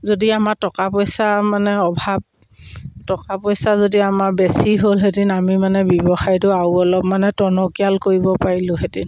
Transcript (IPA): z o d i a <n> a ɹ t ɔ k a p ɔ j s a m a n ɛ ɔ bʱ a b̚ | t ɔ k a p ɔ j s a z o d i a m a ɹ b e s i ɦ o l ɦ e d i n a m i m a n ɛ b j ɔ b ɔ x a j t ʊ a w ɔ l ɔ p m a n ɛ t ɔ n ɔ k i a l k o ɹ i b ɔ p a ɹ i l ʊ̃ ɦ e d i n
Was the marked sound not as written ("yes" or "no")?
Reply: yes